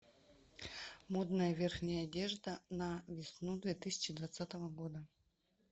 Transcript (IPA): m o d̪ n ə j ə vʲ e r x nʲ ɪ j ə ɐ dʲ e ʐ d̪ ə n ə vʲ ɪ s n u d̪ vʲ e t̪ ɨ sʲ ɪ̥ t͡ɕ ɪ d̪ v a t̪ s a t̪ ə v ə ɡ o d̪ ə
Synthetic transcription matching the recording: m o d̪ n ə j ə vʲ e r x nʲ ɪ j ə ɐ dʲ e ʐ d̪ ə n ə vʲ ɪ s n u d̪ vʲ e t̪ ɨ sʲ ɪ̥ t͡ɕ ɪ d̪ v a t̪ s a t̪ ə v ə ɡ o d̪ ə

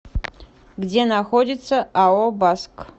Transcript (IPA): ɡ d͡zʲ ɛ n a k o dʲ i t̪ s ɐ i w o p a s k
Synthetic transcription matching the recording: ɡ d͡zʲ e n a x o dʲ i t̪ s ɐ a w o b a s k

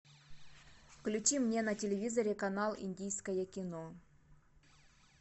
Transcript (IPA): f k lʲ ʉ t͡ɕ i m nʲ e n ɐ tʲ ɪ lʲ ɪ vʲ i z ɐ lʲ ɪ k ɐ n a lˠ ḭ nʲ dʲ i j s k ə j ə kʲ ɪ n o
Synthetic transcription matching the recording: f k lʲ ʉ t͡ɕ i m nʲ e n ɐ tʲ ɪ lʲ ɪ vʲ i z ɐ ɾʲ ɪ k ɐ n a lˠ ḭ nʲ dʲ i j s k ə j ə kʲ ɪ n o

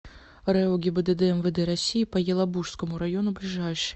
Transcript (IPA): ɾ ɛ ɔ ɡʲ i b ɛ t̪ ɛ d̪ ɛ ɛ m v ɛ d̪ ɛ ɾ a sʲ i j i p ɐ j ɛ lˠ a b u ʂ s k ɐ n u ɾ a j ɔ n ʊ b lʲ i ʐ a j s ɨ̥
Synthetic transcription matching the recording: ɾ ɛ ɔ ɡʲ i b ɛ d̪ ɛ d̪ ɛ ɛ m v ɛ d̪ ɛ ɾ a sʲ i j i p ɐ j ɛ lˠ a b u ʂ s k ɐ m u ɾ a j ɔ n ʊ b lʲ i ʐ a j ʂ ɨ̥

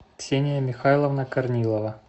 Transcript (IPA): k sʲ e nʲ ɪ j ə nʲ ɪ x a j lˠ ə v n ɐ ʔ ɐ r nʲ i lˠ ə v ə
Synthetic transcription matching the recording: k sʲ e nʲ ɪ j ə mʲ ɪ x a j lˠ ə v n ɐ k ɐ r nʲ i lˠ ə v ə

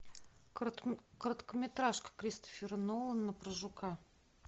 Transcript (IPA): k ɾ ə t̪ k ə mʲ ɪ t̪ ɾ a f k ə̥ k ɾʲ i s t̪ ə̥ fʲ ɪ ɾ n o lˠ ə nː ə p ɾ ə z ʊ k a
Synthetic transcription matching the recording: k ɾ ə t̪ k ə mʲ ɪ t̪ ɾ a ʂ k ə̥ k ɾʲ i s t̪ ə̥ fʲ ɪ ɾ n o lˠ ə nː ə p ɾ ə ʐ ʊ k a

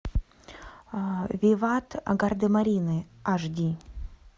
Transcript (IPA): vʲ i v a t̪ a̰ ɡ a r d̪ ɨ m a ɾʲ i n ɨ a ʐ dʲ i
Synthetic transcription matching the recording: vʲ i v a t̪ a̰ ɡ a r d̪ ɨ m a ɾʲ i n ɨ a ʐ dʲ i

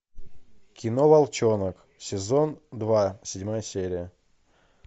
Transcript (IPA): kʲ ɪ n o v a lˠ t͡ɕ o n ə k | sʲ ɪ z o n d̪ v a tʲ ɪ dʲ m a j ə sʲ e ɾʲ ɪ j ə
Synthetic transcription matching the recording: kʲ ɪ n o v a lˠ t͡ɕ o n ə k | sʲ ɪ z o n d̪ v a sʲ ɪ dʲ m a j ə sʲ e ɾʲ ɪ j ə

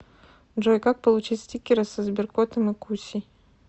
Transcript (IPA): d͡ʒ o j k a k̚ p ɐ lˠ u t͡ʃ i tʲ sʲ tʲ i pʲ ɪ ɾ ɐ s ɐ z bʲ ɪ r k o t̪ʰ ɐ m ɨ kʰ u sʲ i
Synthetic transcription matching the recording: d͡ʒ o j k a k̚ p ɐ lˠ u t͡ʃ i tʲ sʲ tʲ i kʲ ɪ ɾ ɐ s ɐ z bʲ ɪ r k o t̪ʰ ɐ m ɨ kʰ u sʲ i

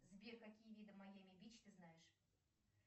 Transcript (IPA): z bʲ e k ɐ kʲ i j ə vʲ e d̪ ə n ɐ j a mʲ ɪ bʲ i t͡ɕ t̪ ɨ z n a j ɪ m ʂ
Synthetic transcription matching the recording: z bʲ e k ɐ kʲ i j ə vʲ i d̪ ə m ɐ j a mʲ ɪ bʲ i t͡ɕ t̪ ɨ z n a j ɪ ʂ

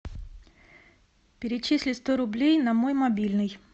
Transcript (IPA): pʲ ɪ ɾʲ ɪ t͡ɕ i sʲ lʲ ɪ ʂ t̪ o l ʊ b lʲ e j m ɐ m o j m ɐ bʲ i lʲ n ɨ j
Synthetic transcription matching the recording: pʲ ɪ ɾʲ ɪ t͡ɕ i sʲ lʲ ɪ s t̪ o ɾ ʊ b lʲ e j n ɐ m o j m ɐ bʲ i lʲ n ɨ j

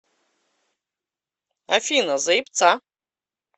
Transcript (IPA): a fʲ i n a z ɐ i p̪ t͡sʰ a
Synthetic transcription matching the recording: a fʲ i n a z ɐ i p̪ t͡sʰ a

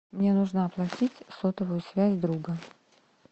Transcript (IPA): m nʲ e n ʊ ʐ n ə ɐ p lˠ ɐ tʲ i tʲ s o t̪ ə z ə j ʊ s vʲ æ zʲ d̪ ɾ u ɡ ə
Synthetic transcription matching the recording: m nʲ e n u ʐ n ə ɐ p lˠ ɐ tʲ i tʲ s o t̪ ə v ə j ʊ s vʲ æ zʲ d̪ ɾ u ɡ ə

